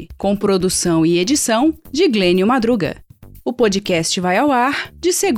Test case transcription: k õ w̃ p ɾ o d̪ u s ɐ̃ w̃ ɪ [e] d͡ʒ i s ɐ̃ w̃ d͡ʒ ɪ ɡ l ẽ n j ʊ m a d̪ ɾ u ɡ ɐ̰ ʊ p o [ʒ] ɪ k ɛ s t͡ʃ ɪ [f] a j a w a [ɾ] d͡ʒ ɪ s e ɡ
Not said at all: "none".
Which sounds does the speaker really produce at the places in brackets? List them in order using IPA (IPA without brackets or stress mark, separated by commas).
e, d͡ʒ, v, ɾ